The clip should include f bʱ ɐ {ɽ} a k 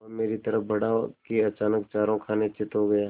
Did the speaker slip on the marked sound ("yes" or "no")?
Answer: no